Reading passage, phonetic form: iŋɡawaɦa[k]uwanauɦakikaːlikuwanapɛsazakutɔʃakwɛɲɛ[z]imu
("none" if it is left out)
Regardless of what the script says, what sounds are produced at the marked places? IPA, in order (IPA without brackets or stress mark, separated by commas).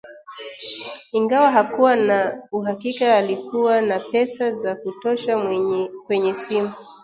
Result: k, s